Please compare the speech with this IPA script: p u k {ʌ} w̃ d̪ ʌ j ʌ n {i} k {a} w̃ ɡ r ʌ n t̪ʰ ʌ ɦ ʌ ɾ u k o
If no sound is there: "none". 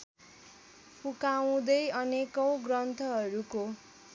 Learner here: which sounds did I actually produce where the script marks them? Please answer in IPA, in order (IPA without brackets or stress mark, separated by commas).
a, e, ʌ